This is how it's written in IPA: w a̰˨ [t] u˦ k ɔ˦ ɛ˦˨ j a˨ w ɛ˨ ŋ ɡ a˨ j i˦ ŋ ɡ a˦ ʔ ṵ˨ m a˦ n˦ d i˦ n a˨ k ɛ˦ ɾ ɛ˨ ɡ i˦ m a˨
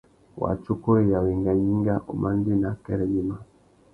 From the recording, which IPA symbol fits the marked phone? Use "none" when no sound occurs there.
t͡ʃ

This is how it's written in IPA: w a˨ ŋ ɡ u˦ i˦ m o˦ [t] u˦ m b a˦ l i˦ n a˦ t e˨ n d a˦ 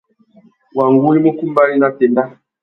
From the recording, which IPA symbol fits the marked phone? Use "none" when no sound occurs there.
k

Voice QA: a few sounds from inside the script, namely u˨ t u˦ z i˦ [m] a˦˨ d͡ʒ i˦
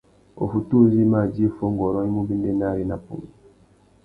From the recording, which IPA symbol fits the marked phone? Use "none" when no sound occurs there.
m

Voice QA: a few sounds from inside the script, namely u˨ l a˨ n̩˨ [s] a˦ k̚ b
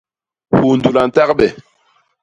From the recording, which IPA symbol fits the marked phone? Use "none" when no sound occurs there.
t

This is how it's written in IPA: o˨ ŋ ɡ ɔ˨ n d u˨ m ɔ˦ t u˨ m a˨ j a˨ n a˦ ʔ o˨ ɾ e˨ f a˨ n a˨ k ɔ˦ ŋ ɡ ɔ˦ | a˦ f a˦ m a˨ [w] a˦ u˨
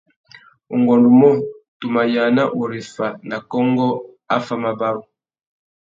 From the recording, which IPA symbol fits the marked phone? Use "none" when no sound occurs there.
b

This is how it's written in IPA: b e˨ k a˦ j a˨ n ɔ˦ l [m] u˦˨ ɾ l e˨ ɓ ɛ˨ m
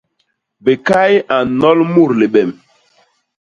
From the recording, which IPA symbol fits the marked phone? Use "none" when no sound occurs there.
m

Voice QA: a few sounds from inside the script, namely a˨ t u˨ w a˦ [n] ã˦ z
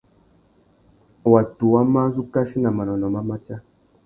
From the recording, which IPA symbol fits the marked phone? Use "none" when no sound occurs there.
m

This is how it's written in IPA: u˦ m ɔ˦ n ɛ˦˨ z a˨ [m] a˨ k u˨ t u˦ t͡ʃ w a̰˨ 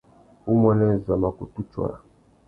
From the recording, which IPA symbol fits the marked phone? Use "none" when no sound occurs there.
m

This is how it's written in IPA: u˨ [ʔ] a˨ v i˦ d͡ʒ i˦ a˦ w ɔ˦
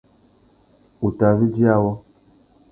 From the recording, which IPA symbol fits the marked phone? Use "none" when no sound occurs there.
t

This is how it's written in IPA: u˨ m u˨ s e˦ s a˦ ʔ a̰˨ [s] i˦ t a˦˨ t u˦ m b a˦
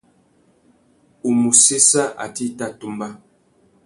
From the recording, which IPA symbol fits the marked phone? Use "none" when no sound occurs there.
t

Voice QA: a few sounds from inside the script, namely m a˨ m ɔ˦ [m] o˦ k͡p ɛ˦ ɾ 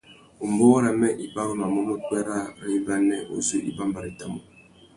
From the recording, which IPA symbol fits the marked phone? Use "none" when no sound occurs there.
m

